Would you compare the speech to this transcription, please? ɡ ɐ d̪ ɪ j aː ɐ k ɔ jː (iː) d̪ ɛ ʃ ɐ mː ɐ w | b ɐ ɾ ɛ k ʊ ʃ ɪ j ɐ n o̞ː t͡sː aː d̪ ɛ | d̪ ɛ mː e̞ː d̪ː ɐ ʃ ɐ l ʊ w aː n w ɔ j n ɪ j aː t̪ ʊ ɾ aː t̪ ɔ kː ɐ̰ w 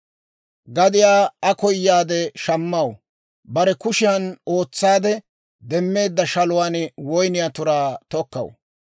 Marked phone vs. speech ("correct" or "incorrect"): incorrect